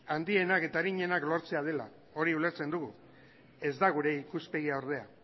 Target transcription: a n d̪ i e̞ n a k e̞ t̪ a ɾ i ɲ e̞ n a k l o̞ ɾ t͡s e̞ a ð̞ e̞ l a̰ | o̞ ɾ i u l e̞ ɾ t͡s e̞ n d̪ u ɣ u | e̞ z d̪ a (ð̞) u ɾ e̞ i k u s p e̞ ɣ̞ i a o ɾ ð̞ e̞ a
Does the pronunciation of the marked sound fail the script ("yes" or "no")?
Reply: yes